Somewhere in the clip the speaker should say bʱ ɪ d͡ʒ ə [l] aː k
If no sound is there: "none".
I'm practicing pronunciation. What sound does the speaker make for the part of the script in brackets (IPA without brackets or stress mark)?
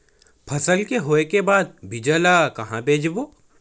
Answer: l